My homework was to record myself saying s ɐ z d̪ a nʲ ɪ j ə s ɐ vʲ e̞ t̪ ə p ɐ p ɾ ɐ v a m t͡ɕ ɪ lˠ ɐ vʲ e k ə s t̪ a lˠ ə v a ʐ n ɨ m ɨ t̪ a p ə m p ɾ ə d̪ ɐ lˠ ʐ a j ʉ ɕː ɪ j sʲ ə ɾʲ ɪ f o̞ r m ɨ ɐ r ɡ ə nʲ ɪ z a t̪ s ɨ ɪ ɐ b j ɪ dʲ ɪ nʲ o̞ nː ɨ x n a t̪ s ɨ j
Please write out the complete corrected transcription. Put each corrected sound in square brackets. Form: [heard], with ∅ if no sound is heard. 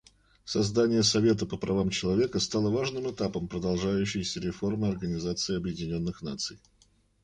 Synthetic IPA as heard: s ɐ z d̪ a nʲ ɪ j ə s ɐ vʲ e̞ t̪ ə p [ə] p ɾ ɐ v a m t͡ɕ ɪ lˠ ɐ vʲ e k ə s t̪ a lˠ ə v a ʐ n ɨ m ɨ t̪ a p ə m p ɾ ə d̪ ɐ lˠ ʐ a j ʉ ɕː ɪ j sʲ ə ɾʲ ɪ f o̞ r m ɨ ɐ r ɡ ə nʲ ɪ z a t̪ s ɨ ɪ ɐ b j ɪ dʲ ɪ nʲ o̞ nː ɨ x n a t̪ s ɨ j

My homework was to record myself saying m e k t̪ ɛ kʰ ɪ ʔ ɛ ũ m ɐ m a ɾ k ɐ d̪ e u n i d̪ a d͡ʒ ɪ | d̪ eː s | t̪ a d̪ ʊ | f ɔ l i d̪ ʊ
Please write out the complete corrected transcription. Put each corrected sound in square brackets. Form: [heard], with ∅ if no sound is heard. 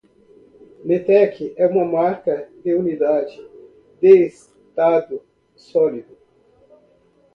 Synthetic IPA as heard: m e [∅] t̪ ɛ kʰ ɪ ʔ ɛ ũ m ɐ m a ɾ k ɐ d̪ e u n i d̪ a d͡ʒ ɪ | d̪ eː s | t̪ a d̪ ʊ | [s] ɔ l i d̪ ʊ

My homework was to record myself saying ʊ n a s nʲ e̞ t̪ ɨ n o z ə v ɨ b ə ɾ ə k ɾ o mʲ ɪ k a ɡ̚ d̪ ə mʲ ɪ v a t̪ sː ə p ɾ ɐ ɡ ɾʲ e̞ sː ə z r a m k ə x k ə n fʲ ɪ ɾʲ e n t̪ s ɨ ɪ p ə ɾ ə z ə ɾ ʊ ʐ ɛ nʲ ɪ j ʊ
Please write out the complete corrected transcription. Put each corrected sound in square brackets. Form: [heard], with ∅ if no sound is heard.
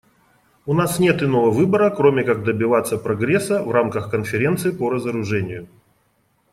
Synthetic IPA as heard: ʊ n a s nʲ e̞ t̪ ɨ n o [v] ə v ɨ b ə ɾ ə k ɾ o mʲ ɪ k a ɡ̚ d̪ ə [bʲ] ɪ v a t̪ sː ə p ɾ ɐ ɡ ɾʲ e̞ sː ə [v] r a m k ə x k ə n fʲ ɪ ɾʲ e n t̪ s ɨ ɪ p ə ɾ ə z ə ɾ ʊ ʐ ɛ nʲ ɪ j ʊ

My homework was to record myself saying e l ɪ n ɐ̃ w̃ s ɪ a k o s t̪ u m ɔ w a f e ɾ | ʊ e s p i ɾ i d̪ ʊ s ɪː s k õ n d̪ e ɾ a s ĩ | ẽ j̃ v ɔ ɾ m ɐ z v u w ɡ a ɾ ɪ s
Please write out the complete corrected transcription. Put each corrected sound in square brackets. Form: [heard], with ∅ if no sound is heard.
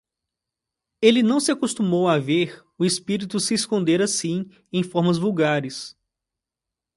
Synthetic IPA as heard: e l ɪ n ɐ̃ w̃ s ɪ a k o s t̪ u m [o] w a [v] e ɾ | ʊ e s p i ɾ i [t̪] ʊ s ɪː s k õ n d̪ e ɾ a s ĩ | ẽ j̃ [f] ɔ ɾ m ɐ z v u w ɡ a ɾ ɪ s

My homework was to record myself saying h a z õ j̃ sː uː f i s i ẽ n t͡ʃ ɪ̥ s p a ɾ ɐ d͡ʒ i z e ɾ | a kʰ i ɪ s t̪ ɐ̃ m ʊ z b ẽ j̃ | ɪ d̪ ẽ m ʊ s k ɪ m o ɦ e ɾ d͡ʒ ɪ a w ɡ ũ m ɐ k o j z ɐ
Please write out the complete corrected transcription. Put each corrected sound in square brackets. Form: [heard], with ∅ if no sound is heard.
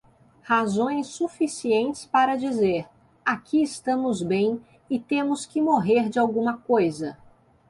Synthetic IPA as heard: h a z õ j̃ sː [u] f i s i ẽ n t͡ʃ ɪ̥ s p a ɾ ɐ d͡ʒ i z e ɾ | a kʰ i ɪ s t̪ ɐ̃ m ʊ z b ẽ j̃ | ɪ [t̪] ẽ m ʊ s k ɪ m o ɦ e ɾ d͡ʒ ɪ a w ɡ ũ m ɐ k o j z ɐ

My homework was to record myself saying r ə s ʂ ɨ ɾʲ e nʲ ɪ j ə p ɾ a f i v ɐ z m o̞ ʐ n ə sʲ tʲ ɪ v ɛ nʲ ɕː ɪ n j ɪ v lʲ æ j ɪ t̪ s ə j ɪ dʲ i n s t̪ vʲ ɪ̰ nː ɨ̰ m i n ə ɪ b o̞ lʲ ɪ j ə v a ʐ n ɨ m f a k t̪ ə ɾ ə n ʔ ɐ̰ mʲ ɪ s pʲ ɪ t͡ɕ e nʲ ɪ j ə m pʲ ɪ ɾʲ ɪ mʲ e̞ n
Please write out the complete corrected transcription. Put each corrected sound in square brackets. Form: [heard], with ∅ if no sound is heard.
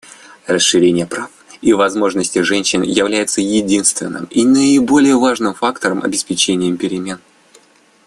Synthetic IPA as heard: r ə s ʂ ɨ ɾʲ e nʲ ɪ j ə p ɾ a f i v ɐ z m o̞ ʐ n ə sʲ tʲ ɪ [ʐ] ɛ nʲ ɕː ɪ n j ɪ v lʲ æ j ɪ t̪ s ə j ɪ dʲ i n s t̪ vʲ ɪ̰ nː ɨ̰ m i n ə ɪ b o̞ lʲ ɪ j ə v a ʐ n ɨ m f a k t̪ ə ɾ ə [m] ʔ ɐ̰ [bʲ] ɪ s pʲ ɪ t͡ɕ e nʲ ɪ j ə m pʲ ɪ ɾʲ ɪ mʲ e̞ n

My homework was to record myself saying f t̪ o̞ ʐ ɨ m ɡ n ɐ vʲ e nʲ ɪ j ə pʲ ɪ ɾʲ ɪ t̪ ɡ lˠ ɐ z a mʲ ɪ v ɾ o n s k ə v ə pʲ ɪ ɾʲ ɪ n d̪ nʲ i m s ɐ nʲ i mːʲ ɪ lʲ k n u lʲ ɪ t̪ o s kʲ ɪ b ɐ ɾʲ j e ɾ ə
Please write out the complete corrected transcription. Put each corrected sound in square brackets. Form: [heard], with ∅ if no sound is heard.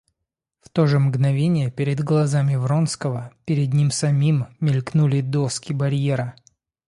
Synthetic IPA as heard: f t̪ o̞ ʐ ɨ m ɡ n ɐ vʲ e nʲ ɪ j ə pʲ ɪ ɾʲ ɪ [d̪] ɡ lˠ ɐ z a mʲ ɪ v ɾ o n s k ə v ə pʲ ɪ ɾʲ ɪ [∅] d̪ nʲ i m s ɐ [mʲ] i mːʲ ɪ lʲ k n u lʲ ɪ [d̪] o s kʲ ɪ b ɐ ɾʲ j e ɾ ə

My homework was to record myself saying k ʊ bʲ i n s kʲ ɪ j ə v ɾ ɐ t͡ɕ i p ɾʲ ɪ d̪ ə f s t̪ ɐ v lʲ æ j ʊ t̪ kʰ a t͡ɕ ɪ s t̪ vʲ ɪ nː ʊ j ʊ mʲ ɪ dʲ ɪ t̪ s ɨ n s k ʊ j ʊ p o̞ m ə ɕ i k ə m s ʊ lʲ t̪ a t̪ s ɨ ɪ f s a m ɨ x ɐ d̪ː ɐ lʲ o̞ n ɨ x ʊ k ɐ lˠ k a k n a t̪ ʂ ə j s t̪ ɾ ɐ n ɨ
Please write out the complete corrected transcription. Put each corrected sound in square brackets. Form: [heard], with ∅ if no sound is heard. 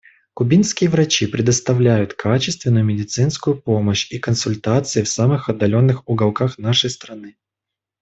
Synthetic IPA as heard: k ʊ bʲ i n s kʲ ɪ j ə v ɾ ɐ t͡ɕ i p ɾʲ ɪ d̪ ə [∅] s t̪ ɐ v lʲ æ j ʊ t̪ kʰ a t͡ɕ ɪ s t̪ vʲ ɪ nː ʊ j ʊ mʲ ɪ dʲ ɪ t̪ s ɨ n s k ʊ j ʊ p o̞ m ə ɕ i k ə [n] s ʊ lʲ t̪ a t̪ s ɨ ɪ f s a m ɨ x ɐ d̪ː ɐ lʲ o̞ [nː] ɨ x ʊ [ɡ] ɐ lˠ k a [x] n a [∅] ʂ ə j s t̪ ɾ ɐ n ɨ

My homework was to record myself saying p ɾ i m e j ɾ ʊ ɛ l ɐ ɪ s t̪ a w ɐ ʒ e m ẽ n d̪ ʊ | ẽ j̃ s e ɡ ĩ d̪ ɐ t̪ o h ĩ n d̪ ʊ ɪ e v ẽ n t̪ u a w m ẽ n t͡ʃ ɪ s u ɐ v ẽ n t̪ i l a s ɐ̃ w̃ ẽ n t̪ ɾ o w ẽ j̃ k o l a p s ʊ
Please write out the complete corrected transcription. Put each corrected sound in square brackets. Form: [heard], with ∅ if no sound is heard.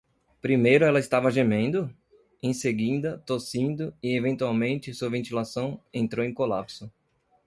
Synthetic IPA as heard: p ɾ i m e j ɾ ʊ ɛ l ɐ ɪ s t̪ a [v] ɐ ʒ e m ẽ n d̪ ʊ | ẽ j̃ s e ɡ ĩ d̪ ɐ t̪ o [s] ĩ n d̪ ʊ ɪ e v ẽ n t̪ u a w m ẽ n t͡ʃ ɪ s u ɐ v ẽ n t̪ i l a s ɐ̃ w̃ ẽ n t̪ ɾ o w ẽ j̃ k o l a p s ʊ

